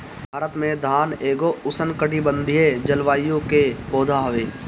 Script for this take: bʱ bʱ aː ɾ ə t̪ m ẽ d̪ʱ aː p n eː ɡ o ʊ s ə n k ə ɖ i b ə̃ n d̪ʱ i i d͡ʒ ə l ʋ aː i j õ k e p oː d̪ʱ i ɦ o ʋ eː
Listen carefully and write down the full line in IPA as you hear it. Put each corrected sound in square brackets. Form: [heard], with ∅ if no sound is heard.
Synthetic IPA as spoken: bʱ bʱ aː ɾ ə t̪ m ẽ d̪ʱ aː [∅] n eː ɡ o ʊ s ə n k ə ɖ i b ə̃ n d̪ʱ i [e] d͡ʒ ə l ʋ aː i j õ k e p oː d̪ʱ [a] ɦ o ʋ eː